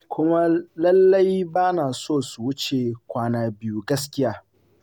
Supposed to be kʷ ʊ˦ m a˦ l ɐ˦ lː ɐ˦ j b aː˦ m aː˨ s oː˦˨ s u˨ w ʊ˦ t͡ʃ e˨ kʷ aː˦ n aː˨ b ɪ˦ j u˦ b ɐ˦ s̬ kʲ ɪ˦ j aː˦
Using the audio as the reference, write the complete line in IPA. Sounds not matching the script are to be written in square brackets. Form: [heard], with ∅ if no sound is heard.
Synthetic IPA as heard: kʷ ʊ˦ m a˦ l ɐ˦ lː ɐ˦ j b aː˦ [n] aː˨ s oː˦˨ s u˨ w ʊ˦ t͡ʃ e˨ kʷ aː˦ n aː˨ b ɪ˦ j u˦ [ɡ] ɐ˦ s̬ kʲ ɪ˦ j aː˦